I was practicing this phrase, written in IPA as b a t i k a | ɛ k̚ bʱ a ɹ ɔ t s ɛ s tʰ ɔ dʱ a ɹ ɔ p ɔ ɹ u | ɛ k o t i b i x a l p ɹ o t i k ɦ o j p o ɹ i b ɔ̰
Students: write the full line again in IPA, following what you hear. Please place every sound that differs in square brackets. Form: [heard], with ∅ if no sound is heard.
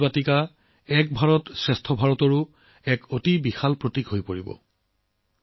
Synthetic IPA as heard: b a t i k a | ɛ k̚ bʱ a ɹ ɔ t s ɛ s tʰ ɔ [bʱ] a ɹ ɔ [t] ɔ ɹ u | ɛ k o t i b i x a l p ɹ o t i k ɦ o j p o ɹ i b ɔ̰